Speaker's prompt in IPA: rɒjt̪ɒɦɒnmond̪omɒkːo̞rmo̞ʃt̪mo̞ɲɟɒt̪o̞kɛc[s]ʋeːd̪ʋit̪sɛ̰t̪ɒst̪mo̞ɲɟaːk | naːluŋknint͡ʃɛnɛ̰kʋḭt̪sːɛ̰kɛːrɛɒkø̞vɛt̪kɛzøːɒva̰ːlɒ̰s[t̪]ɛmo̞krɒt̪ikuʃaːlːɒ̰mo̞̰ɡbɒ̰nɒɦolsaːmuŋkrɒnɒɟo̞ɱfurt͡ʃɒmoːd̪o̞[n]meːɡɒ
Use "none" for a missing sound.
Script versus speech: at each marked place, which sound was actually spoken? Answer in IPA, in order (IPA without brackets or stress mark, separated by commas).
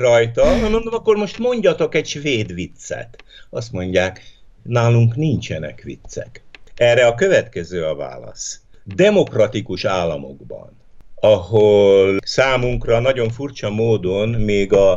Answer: ʃ, d̪, n